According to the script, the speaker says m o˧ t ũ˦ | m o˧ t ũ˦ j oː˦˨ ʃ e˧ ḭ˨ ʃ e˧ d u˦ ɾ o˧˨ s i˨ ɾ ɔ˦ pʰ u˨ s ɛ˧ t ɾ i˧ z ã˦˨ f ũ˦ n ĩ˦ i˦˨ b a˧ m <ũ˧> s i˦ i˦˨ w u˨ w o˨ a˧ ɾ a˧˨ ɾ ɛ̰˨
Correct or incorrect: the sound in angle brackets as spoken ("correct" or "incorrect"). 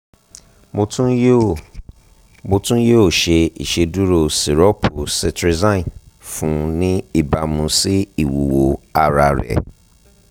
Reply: correct